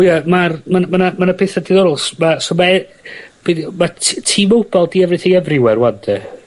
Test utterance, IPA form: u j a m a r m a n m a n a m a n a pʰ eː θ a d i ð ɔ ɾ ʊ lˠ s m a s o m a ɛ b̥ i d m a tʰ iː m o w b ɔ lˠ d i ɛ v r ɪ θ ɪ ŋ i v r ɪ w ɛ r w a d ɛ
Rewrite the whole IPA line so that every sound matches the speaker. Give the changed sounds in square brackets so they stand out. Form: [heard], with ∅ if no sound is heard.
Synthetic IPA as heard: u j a m a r m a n m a n a m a n a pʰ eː θ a d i ð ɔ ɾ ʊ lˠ s m a s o m a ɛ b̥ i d m a tʰ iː m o w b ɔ lˠ d i ɛ v r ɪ θ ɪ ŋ [ɛ] v r ɪ w ɛ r w a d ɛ